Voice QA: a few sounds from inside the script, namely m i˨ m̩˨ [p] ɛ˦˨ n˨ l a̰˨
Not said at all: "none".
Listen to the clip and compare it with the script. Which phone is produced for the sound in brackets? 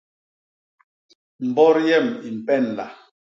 p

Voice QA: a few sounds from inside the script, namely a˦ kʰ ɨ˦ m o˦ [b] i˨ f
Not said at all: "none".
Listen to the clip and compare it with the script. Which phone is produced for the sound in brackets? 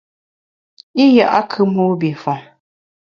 b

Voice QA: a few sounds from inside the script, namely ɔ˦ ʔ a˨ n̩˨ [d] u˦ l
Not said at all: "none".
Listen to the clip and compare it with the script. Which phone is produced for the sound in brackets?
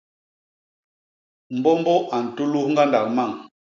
t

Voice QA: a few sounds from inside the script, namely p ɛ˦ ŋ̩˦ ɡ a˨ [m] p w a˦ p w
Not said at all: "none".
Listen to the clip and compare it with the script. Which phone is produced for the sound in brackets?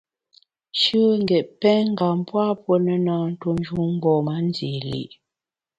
m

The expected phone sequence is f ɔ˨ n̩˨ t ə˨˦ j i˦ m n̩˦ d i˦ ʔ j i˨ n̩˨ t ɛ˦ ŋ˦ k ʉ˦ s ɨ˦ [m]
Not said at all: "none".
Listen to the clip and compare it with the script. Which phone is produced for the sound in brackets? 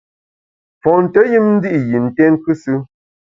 none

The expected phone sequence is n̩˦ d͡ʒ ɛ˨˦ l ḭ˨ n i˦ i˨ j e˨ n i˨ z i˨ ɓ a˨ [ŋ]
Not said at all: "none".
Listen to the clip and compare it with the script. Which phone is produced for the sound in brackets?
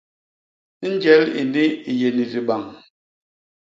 ŋ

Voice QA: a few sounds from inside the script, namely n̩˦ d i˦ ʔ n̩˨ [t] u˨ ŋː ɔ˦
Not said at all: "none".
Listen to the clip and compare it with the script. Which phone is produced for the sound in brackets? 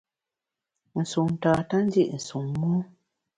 s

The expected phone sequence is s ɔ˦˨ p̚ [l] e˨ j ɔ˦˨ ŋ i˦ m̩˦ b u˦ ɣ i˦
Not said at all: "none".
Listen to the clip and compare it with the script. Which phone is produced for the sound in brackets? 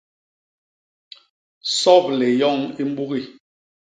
l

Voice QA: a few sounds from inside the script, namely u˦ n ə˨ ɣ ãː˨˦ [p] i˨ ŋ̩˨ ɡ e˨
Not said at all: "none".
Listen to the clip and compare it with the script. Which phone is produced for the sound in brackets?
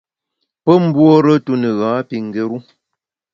p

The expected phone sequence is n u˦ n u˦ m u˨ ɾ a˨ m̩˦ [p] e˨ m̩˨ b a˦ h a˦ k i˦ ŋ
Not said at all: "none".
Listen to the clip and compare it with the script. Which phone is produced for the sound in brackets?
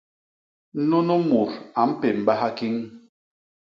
p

